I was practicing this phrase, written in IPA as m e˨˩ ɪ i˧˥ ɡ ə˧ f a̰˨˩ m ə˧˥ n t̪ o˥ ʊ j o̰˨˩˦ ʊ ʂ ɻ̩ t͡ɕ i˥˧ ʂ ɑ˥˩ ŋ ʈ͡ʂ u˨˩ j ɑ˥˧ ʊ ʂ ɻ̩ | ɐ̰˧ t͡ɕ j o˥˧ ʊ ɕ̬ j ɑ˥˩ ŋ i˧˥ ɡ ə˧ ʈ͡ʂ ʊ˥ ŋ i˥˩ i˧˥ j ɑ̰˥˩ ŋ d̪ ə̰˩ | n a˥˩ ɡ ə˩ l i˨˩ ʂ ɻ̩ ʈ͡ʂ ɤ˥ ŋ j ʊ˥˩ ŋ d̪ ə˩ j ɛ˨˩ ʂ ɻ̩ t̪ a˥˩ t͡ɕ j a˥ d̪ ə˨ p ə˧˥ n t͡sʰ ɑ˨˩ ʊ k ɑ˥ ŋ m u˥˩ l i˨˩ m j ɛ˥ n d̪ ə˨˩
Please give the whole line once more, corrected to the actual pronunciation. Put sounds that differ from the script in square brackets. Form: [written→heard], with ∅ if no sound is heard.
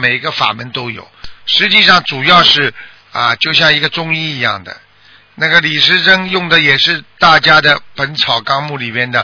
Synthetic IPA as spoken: m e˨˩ ɪ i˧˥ ɡ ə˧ f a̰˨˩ m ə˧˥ n t̪ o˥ ʊ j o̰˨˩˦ ʊ ʂ ɻ̩ t͡ɕ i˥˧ ʂ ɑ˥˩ ŋ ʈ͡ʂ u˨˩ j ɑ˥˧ ʊ ʂ ɻ̩ | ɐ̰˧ t͡ɕ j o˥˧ ʊ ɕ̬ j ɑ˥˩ ŋ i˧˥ ɡ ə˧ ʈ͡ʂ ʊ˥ ŋ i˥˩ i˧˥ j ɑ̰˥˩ ŋ d̪ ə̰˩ | n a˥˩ ɡ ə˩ l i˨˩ ʂ ɻ̩ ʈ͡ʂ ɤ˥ ŋ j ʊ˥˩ ŋ d̪ ə˩ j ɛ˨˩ ʂ ɻ̩ t̪ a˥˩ t͡ɕ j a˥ d̪ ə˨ p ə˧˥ n t͡sʰ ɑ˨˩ ʊ k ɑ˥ ŋ m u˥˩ l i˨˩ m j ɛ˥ n d̪ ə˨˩